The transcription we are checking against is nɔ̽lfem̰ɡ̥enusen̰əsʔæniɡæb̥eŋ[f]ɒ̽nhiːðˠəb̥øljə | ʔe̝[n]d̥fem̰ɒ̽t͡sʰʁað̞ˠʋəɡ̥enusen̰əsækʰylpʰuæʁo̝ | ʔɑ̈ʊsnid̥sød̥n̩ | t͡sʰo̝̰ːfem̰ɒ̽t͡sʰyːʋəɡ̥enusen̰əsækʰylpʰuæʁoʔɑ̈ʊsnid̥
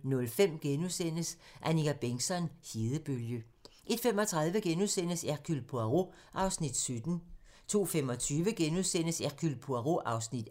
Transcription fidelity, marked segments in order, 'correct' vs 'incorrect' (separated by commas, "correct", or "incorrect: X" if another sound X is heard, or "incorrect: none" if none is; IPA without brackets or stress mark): incorrect: s, incorrect: none